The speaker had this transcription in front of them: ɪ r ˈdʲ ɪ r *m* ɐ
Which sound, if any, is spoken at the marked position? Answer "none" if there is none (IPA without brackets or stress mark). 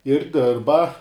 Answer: b